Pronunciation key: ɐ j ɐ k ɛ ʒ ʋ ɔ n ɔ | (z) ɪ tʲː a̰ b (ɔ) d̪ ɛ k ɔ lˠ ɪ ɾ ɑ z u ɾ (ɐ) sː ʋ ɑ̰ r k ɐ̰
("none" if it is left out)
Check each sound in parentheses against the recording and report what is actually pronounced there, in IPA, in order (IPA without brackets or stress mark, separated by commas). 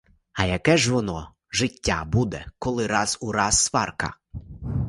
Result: ʒ, u, ɑ